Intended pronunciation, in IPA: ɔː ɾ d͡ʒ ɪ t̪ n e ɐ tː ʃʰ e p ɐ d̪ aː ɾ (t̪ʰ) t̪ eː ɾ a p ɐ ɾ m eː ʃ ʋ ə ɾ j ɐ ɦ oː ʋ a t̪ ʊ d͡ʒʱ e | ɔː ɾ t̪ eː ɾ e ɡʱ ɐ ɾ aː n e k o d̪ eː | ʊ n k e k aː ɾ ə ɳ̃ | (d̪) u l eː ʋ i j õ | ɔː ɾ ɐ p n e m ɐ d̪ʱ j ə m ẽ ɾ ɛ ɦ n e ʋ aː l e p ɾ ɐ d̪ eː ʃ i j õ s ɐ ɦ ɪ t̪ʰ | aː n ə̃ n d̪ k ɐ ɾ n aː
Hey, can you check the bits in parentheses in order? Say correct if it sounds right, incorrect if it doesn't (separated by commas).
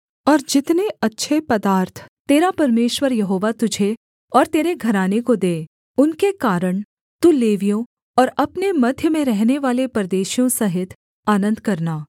correct, incorrect